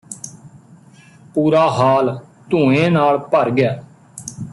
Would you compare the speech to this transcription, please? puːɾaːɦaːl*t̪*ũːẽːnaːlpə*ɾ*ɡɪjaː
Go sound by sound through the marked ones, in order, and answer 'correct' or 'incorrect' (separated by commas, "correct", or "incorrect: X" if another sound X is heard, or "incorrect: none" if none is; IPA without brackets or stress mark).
correct, correct